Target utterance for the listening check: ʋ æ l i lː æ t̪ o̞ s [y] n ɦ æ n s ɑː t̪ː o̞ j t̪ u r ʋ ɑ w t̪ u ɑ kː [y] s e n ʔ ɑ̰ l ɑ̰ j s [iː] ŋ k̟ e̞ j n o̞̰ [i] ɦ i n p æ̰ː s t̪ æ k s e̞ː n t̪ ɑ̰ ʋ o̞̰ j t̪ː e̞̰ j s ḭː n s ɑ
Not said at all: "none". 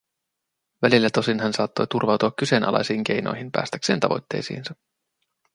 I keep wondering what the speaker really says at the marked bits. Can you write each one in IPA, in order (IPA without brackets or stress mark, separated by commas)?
i, y, iː, j